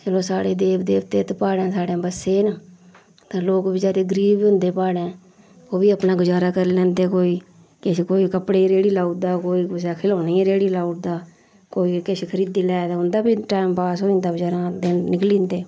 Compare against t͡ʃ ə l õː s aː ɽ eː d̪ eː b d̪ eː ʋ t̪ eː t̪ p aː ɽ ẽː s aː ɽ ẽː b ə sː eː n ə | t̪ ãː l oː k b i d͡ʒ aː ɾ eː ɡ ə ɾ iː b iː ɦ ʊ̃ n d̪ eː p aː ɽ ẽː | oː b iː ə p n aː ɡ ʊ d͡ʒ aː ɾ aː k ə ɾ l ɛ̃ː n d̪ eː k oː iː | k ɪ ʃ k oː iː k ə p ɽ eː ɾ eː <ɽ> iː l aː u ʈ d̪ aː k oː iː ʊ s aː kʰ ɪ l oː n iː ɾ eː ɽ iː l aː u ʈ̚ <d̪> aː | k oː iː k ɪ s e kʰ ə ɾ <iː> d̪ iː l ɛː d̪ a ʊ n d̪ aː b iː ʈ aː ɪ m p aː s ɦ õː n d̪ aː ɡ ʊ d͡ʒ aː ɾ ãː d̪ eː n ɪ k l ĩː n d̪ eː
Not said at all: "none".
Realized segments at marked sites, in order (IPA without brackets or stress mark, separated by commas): ɽ, d̪, iː